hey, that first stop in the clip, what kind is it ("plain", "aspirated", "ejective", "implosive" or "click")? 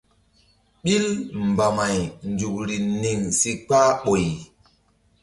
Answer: implosive